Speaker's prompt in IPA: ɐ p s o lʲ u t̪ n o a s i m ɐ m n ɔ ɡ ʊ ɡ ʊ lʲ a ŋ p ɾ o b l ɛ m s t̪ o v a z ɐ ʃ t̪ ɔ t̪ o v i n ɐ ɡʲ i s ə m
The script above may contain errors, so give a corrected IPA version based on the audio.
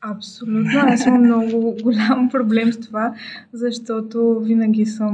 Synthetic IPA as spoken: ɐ p s o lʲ u t̪ n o a s i m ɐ m n ɔ ɡ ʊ ɡ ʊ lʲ a m p ɾ o b l ɛ m s t̪ o v a z ɐ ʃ t̪ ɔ t̪ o v i n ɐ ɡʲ i s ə m